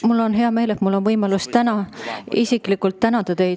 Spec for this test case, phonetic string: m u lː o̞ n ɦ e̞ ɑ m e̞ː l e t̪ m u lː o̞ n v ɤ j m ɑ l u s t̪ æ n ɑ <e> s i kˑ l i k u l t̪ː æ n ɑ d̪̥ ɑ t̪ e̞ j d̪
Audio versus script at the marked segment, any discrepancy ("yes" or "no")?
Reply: yes